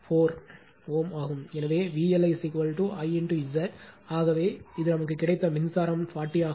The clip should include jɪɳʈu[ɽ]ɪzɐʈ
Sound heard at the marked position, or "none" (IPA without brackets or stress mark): none